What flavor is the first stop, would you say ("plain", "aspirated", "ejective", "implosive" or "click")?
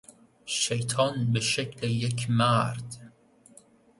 aspirated